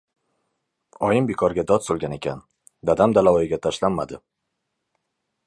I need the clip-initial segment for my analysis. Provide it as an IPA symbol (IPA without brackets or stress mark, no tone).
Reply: ɒ